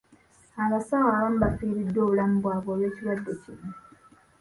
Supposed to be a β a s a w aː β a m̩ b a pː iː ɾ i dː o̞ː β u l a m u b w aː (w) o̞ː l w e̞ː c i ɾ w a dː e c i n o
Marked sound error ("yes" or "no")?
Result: yes